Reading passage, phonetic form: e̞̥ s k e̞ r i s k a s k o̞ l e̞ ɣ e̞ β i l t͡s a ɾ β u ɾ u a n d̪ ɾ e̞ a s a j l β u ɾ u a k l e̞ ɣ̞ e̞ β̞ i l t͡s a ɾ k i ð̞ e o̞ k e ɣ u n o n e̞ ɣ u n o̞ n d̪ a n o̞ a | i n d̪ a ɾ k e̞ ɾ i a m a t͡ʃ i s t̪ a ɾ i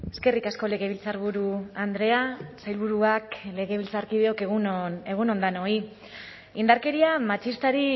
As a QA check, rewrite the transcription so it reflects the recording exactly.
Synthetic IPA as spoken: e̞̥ s k e̞ r i k a s k o̞ l e̞ ɣ e̞ β i l t͡s a ɾ β u ɾ u a n d̪ ɾ e̞ a s a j l β u ɾ u a k l e̞ ɣ̞ e̞ β̞ i l t͡s a ɾ k i ð̞ e o̞ k e ɣ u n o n e̞ ɣ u n o̞ n d̪ a n o̞ i | i n d̪ a ɾ k e̞ ɾ i a m a t͡ʃ i s t̪ a ɾ i